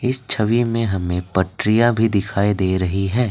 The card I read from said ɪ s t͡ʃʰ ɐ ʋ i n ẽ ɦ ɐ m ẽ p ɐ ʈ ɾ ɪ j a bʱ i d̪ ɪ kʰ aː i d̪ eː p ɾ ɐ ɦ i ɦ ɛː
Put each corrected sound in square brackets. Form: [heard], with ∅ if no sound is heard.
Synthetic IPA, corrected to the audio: ɪ s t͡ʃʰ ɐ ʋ i [m] ẽ ɦ ɐ m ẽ p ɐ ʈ ɾ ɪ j a bʱ i d̪ ɪ kʰ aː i d̪ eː [∅] ɾ ɐ ɦ i ɦ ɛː

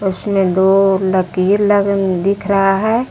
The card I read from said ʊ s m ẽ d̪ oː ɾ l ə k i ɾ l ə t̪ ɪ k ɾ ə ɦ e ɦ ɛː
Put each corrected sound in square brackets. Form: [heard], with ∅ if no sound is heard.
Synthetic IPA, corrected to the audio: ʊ s m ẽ d̪ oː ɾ l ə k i ɾ l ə [d̪] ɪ [kʰ] ɾ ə ɦ [a] ɦ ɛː

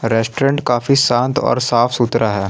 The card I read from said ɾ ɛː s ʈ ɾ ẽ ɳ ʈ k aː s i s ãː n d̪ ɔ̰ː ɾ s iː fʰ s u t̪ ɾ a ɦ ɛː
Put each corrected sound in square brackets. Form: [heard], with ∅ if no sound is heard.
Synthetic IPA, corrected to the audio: ɾ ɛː s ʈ ɾ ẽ ɳ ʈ k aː [f] i s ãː n [t̪] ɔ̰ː ɾ s [aː] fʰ s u t̪ ɾ a ɦ ɛː

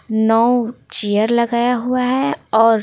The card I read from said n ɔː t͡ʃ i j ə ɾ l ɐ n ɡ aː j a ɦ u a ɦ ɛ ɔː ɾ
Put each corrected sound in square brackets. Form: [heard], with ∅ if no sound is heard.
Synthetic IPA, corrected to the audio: n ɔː t͡ʃ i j ə ɾ l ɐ [∅] ɡ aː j a ɦ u a ɦ ɛ ɔː ɾ

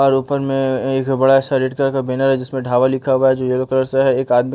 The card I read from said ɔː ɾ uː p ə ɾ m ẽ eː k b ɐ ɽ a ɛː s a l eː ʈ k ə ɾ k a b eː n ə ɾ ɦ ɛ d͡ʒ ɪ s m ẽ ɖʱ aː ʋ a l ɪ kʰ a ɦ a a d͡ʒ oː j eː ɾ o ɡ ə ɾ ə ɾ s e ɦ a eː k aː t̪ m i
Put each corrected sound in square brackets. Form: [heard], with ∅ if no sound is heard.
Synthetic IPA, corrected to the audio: ɔː ɾ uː p ə ɾ m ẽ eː k b ɐ ɽ a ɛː s a [ɾ] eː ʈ k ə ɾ k a b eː n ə ɾ ɦ ɛ d͡ʒ ɪ s m ẽ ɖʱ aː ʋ a l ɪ kʰ a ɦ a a d͡ʒ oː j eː ɾ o [k] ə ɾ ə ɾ s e ɦ [ɛ] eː k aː [d̪] m i

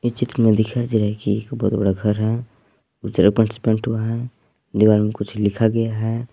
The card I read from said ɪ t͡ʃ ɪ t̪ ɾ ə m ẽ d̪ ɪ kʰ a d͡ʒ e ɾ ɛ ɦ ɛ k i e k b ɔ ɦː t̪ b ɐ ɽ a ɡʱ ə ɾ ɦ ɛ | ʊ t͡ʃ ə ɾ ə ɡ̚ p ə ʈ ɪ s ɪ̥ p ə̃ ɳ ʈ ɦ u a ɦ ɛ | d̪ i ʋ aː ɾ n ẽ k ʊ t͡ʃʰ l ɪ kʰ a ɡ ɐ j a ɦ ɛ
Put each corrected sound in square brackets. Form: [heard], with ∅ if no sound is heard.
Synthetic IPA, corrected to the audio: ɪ t͡ʃ ɪ t̪ ɾ ə m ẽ d̪ ɪ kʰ a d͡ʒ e ɾ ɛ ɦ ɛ k i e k b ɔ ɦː t̪ b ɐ ɽ a ɡʱ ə ɾ ɦ ɛ | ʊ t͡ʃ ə ɾ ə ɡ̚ p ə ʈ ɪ s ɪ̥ p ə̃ ɳ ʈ ɦ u a ɦ ɛ | d̪ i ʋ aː ɾ [m] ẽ k ʊ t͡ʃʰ l ɪ kʰ a ɡ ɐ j a ɦ ɛ

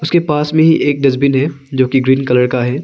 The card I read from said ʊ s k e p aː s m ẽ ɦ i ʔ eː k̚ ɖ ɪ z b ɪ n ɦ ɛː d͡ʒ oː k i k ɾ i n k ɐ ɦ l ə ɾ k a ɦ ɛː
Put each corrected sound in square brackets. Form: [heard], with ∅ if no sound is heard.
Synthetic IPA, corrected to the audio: ʊ s k e p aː s m ẽ ɦ i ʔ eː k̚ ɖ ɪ z b ɪ n ɦ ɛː d͡ʒ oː k i [ɡ] ɾ [iː] n k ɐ [∅] l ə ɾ k a ɦ ɛː

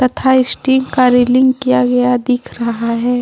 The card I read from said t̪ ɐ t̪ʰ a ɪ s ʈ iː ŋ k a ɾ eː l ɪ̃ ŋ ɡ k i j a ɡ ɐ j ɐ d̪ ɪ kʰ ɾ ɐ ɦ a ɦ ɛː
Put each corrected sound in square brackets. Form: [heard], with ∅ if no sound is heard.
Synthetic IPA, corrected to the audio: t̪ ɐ t̪ʰ a ɪ s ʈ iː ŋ k a ɾ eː l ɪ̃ ŋ ɡ k i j a ɡ ɐ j [a] d̪ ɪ kʰ ɾ ɐ ɦ a ɦ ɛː

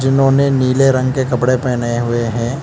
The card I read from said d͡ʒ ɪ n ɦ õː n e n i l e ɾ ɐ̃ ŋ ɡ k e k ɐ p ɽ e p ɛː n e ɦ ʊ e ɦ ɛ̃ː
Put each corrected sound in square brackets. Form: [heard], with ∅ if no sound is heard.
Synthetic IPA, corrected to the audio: d͡ʒ ɪ n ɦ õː n e n [iː] l e ɾ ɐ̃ ŋ ɡ k e k ɐ p ɽ e p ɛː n e ɦ ʊ e ɦ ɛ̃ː

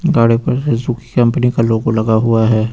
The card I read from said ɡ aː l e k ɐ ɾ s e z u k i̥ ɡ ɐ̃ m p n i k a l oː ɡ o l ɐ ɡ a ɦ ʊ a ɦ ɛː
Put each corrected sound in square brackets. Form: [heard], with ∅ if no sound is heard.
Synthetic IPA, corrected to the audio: ɡ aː [ɽ] e [p] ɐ ɾ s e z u k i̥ [k] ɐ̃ m p n i k a l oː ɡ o l ɐ ɡ a ɦ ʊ a ɦ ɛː

